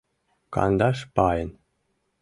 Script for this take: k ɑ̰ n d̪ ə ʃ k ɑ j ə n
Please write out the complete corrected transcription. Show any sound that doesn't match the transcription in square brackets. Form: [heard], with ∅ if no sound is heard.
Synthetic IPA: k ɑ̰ n d̪ [ɑ] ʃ [p] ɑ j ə n